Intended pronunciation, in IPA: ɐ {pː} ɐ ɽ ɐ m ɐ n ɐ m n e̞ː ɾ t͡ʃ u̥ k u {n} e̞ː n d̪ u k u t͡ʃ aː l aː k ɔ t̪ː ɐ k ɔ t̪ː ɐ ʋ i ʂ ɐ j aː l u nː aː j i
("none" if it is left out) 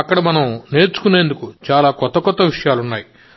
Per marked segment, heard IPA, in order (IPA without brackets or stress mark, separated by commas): kː, n